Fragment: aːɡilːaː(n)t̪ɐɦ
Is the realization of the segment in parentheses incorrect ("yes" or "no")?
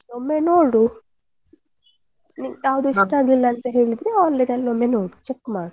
no